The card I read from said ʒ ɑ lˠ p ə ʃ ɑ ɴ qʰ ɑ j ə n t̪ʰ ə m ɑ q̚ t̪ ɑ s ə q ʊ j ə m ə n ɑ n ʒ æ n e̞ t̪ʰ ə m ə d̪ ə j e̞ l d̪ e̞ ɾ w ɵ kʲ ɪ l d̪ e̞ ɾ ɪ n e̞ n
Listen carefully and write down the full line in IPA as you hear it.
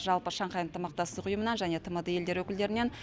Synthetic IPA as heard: ʒ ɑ lˠ p ə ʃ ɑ ɴ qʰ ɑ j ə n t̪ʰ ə m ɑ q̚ t̪ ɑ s ə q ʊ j ə m ə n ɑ n ʒ æ n e̞ t̪ʰ ə m ə d̪ ə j e̞ l d̪ e̞ ɾ w ɵ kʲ ɪ l d̪ e̞ ɾ ɪ n e̞ n